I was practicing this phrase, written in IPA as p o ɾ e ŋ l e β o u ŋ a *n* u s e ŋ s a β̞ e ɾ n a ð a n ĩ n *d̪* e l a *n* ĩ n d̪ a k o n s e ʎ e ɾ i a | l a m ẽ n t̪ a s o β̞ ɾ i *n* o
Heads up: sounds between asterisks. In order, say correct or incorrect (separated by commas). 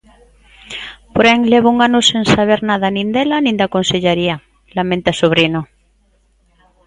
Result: correct, correct, correct, correct